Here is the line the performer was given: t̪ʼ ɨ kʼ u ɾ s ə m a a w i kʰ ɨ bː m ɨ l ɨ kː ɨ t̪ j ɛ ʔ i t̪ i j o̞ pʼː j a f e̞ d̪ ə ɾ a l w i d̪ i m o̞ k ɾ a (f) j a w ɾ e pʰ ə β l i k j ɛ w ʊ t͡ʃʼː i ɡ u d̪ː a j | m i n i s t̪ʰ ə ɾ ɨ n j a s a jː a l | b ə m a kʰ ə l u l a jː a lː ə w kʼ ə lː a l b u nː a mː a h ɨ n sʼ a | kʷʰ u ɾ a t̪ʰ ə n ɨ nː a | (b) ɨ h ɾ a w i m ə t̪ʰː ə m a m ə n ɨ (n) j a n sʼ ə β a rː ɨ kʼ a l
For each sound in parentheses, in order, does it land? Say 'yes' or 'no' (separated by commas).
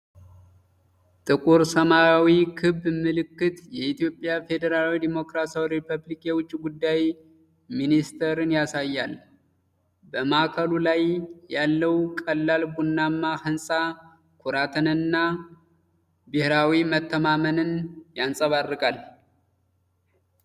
no, yes, yes